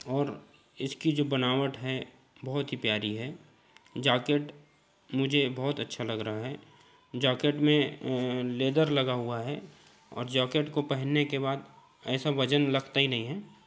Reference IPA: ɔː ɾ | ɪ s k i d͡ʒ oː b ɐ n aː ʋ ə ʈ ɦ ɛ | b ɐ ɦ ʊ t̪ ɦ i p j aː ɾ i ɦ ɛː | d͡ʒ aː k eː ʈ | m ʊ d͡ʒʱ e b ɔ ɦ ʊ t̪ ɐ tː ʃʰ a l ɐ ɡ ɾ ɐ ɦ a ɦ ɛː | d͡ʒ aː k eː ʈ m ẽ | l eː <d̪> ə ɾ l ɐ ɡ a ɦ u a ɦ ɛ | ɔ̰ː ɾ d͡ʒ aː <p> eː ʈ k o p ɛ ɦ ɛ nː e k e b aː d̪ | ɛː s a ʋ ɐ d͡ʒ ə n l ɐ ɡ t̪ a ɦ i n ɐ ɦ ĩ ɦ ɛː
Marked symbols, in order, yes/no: yes, no

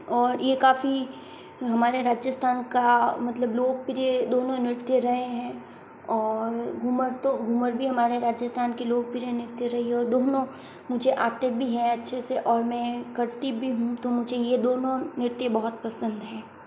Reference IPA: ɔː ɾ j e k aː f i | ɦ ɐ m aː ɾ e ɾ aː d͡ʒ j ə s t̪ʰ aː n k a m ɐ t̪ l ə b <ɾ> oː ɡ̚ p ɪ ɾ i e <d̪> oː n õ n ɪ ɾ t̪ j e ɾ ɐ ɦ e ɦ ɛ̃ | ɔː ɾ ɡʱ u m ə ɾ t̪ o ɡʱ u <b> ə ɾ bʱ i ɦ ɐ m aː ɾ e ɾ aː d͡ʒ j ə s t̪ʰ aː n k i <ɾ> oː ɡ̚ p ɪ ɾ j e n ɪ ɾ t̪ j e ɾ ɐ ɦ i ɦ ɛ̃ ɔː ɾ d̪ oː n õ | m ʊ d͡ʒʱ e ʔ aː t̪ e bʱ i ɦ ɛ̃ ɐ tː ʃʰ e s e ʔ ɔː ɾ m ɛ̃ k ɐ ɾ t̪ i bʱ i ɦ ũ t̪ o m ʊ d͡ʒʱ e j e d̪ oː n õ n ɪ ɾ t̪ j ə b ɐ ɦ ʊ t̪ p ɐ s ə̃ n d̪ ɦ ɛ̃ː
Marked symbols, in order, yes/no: no, yes, no, no

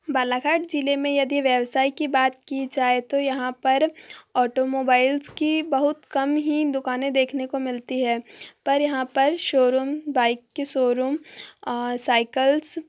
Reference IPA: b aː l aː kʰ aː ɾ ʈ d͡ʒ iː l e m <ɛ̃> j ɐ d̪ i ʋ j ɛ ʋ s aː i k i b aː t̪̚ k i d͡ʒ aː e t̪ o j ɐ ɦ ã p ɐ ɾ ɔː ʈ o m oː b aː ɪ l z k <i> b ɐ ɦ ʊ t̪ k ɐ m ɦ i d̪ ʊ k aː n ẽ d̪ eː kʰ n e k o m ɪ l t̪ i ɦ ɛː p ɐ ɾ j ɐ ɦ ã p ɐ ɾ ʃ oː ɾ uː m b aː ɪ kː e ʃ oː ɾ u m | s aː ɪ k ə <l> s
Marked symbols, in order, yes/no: no, yes, yes

